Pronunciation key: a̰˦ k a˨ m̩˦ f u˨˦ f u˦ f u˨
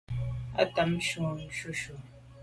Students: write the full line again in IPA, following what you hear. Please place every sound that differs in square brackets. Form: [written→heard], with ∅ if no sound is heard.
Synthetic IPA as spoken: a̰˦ [k→t] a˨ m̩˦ [f→ʃ] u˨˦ [f→ʃ] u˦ [f→ʃ] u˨